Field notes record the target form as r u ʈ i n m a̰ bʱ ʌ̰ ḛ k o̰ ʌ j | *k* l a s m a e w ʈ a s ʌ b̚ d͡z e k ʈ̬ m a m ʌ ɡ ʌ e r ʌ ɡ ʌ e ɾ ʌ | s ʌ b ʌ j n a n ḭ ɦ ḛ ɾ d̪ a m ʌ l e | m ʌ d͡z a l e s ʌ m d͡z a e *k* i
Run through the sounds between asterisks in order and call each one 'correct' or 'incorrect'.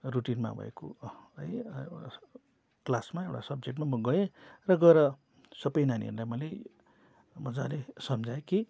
correct, correct

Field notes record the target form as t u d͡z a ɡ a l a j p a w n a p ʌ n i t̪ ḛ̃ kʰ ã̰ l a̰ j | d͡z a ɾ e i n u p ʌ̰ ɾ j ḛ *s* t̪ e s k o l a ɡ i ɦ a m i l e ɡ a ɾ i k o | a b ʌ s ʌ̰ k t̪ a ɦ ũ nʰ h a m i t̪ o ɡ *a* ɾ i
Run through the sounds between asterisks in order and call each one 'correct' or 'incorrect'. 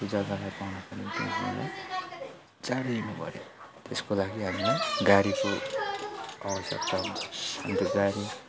incorrect, correct

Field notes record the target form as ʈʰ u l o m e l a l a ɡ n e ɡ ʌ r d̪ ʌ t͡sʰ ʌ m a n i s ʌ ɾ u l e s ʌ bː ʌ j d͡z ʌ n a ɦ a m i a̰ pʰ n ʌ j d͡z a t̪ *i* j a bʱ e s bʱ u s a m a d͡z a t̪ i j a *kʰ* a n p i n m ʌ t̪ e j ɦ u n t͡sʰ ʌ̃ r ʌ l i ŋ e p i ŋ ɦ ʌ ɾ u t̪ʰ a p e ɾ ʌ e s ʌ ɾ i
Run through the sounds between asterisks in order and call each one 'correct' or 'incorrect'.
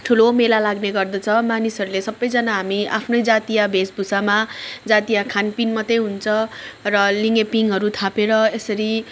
correct, correct

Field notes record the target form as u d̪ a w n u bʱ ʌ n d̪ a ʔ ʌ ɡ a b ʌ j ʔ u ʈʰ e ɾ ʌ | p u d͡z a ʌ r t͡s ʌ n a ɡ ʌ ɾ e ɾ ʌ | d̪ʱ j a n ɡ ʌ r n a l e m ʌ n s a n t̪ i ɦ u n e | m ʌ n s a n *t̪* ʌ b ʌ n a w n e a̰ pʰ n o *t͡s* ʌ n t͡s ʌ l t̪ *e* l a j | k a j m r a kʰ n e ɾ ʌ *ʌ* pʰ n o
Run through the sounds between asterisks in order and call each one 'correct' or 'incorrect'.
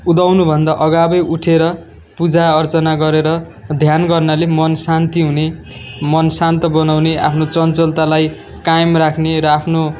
correct, correct, incorrect, incorrect

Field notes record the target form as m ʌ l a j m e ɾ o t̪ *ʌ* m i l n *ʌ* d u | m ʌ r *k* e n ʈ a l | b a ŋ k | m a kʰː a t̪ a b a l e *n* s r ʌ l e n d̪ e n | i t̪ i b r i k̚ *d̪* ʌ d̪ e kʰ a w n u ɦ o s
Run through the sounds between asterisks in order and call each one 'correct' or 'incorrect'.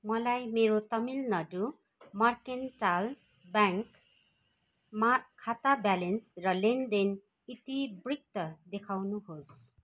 correct, correct, correct, correct, incorrect

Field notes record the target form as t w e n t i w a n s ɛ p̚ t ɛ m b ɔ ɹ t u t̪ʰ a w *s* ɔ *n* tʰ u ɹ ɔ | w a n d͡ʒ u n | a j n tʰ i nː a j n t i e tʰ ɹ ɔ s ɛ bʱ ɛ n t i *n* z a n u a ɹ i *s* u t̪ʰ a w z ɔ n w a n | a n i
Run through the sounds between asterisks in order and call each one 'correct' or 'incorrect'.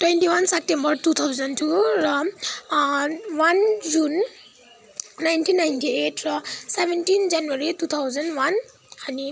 incorrect, correct, correct, incorrect

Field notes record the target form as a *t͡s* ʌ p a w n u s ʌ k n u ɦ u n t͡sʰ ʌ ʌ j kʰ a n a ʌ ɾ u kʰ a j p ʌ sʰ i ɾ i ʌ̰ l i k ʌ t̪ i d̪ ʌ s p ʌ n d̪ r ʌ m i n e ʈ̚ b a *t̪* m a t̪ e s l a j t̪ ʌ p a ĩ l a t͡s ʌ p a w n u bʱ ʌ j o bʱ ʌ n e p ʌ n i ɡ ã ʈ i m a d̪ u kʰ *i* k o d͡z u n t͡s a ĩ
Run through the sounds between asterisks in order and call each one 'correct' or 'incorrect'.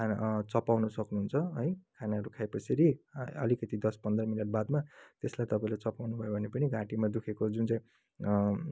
correct, incorrect, incorrect

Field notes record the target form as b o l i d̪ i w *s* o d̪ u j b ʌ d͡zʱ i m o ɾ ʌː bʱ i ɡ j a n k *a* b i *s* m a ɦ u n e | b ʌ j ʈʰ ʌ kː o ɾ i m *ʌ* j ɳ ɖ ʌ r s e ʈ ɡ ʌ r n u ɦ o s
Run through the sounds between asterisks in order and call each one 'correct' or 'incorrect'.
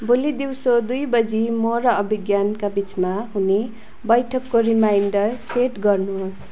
correct, correct, incorrect, incorrect

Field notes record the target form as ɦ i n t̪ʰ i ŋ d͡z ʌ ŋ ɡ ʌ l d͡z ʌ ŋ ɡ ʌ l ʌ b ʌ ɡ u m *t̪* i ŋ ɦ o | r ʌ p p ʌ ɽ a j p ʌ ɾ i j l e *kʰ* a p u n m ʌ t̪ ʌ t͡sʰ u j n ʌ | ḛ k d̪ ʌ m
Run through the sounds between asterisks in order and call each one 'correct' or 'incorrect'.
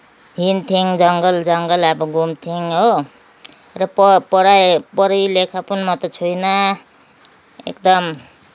incorrect, correct

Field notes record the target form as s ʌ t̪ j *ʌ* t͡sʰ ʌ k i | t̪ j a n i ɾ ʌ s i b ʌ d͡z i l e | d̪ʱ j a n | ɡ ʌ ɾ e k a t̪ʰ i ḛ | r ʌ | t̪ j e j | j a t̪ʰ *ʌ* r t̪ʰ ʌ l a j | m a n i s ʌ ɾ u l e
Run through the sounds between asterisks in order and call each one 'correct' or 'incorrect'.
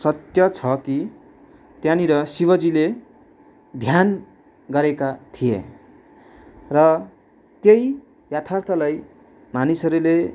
correct, incorrect

